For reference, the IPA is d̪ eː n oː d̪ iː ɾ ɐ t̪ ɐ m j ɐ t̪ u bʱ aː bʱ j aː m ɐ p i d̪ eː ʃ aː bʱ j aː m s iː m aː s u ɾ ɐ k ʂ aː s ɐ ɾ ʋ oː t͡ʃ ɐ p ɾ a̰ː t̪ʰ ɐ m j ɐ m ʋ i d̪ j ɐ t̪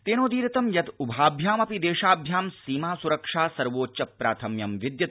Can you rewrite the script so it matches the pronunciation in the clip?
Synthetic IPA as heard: t̪ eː n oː d̪ iː ɾ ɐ t̪ ɐ m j ɐ t̪ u bʱ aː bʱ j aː m ɐ p i d̪ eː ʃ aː bʱ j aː m s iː m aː s u ɾ ɐ k ʂ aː s ɐ ɾ ʋ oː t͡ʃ ɐ p ɾ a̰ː t̪ʰ ɐ m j ɐ m ʋ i d̪ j ɐ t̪